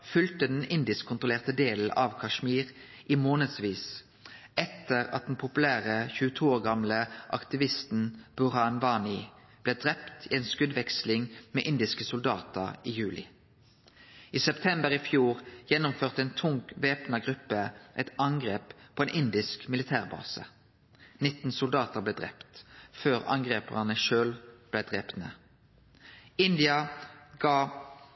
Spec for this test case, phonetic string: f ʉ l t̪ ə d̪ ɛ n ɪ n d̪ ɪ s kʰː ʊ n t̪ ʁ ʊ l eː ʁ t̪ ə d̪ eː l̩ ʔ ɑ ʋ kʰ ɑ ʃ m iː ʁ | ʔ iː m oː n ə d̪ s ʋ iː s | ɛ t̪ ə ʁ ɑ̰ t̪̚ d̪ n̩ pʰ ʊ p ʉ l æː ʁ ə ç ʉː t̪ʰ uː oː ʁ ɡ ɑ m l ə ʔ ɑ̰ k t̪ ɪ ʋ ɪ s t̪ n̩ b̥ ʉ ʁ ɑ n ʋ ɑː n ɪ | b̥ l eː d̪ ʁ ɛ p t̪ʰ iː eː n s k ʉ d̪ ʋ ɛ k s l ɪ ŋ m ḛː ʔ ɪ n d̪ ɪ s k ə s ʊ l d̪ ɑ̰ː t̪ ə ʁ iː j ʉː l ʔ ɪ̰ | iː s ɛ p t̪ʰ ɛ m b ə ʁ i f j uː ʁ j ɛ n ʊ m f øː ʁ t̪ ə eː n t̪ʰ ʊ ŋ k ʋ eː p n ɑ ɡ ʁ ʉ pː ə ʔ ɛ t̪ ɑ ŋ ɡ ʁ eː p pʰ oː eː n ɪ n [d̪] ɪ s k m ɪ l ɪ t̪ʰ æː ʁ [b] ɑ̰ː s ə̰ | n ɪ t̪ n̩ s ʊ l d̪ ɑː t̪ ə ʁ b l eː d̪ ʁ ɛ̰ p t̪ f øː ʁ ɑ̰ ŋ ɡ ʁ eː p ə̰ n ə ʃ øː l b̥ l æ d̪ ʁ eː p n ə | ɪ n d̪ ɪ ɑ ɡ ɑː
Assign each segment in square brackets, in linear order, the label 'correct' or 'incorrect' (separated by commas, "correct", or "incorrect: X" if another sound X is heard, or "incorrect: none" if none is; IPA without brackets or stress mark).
correct, correct